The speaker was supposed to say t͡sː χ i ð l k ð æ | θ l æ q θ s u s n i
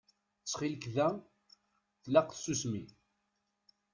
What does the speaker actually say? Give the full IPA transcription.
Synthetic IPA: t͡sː χ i l k ð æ | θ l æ q θ s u s m i